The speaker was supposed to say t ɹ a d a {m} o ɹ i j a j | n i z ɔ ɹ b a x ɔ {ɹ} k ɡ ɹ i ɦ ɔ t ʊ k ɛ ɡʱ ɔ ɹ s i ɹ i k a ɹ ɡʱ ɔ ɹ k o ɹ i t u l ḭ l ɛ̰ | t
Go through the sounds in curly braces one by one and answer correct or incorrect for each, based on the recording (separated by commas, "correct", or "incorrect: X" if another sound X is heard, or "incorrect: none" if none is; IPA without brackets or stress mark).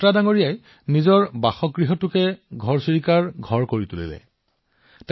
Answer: incorrect: ŋ, incorrect: none